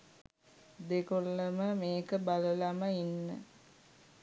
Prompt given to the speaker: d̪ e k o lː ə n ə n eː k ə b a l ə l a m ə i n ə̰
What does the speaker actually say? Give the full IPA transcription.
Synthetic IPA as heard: d̪ e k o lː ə m ə m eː k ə b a l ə l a m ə i nː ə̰